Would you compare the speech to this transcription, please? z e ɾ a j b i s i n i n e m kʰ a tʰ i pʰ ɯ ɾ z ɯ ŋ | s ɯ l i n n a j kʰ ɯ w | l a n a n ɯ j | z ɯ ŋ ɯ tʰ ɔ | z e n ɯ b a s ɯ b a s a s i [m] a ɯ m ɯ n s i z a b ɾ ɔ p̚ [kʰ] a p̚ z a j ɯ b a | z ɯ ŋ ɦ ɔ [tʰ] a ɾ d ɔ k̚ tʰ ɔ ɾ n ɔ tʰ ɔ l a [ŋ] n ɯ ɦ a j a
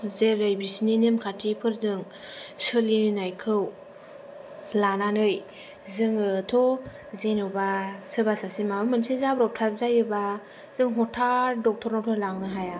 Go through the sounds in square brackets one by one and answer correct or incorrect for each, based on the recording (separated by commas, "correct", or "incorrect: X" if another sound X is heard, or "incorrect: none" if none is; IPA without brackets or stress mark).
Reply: correct, incorrect: tʰ, correct, correct